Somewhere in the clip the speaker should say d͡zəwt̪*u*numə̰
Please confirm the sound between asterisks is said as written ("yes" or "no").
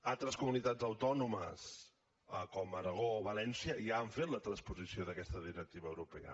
no